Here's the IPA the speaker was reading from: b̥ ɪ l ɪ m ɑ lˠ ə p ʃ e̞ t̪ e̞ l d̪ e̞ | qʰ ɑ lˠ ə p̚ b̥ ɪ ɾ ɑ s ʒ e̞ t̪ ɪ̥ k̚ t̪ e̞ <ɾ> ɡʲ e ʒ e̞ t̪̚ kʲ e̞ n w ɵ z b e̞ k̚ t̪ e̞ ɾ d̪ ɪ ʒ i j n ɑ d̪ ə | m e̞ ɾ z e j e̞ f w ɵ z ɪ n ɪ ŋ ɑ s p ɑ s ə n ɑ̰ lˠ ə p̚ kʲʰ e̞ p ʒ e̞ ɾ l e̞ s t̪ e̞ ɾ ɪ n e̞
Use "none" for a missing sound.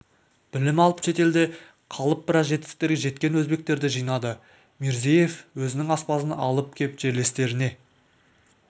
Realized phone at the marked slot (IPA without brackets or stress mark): ɾ